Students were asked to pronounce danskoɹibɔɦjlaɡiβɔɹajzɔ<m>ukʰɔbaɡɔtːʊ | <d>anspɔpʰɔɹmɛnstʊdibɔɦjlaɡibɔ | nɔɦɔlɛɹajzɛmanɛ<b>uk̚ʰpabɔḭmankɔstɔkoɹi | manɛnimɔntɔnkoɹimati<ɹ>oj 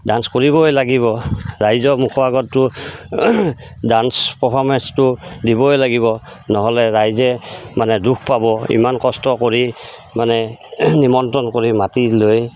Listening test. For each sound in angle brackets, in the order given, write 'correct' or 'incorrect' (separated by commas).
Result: correct, correct, incorrect, incorrect